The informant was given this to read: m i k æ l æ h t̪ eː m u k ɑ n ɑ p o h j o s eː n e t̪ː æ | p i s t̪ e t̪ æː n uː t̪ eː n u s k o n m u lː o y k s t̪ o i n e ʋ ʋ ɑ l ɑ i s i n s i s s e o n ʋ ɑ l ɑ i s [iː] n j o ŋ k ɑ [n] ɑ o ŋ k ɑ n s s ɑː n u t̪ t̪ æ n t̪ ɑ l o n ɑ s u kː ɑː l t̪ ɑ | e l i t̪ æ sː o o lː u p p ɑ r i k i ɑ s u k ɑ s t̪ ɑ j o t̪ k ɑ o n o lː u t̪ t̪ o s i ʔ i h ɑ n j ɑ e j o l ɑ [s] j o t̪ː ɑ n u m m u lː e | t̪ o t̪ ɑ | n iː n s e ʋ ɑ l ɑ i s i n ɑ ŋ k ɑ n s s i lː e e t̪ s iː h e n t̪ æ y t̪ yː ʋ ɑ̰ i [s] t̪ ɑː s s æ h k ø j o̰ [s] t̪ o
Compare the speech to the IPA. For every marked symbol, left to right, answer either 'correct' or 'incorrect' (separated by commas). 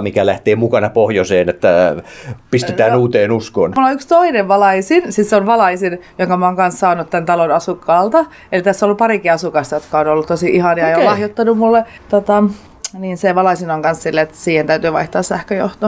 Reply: incorrect, incorrect, incorrect, incorrect, incorrect